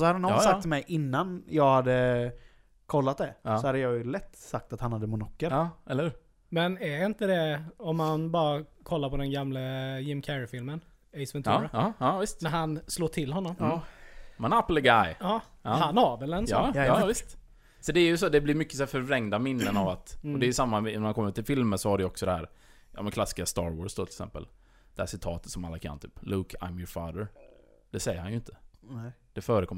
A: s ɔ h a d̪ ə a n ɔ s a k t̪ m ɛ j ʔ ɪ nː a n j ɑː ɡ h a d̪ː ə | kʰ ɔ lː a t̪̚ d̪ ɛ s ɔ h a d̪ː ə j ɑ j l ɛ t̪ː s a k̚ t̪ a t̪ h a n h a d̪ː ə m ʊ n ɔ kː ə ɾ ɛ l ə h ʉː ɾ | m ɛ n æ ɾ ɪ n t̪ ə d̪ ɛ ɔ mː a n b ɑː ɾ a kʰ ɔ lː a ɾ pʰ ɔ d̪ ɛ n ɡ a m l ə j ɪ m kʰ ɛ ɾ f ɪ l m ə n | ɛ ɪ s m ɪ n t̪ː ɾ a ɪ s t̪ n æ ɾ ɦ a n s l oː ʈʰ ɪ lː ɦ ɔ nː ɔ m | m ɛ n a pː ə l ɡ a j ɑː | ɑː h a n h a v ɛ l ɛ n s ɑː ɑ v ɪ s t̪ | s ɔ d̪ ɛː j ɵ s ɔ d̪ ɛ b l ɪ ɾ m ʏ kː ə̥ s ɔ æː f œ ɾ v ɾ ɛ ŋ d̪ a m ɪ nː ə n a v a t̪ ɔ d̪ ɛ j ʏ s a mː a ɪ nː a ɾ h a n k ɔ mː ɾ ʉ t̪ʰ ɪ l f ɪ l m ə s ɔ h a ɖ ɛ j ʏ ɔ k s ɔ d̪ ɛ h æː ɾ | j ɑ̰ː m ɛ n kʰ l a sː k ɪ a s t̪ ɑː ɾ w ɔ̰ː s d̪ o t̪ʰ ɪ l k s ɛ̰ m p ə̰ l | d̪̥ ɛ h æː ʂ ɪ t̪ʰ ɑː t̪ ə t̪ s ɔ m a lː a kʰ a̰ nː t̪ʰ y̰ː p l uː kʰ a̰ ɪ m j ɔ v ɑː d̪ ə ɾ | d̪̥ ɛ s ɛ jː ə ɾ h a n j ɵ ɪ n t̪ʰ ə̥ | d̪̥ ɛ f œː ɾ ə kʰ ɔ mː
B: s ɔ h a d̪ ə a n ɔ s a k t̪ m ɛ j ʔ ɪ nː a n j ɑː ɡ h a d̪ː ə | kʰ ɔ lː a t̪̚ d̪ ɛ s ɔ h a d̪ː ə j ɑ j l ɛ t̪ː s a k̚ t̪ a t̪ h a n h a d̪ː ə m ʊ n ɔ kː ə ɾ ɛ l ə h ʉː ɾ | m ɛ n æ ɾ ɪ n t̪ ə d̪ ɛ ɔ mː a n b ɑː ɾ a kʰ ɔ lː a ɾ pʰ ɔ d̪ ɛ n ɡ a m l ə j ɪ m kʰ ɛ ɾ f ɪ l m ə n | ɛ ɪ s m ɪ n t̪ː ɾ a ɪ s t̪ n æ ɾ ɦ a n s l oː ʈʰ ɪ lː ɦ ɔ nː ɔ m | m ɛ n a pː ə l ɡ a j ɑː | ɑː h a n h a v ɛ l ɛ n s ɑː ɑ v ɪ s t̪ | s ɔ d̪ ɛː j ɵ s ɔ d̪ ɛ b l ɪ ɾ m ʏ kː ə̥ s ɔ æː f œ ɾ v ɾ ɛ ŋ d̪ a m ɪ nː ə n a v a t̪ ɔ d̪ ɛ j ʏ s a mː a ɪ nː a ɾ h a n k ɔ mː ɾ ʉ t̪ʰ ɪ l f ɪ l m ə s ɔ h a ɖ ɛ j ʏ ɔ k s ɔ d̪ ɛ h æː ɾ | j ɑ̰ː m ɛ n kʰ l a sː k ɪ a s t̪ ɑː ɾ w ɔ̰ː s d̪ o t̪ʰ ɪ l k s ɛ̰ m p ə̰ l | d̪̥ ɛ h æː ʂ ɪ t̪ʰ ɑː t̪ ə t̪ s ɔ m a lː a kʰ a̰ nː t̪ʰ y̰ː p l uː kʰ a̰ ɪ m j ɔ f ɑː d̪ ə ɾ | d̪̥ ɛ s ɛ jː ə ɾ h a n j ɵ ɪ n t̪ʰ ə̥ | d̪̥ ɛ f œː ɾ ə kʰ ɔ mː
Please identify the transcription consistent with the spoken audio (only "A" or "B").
B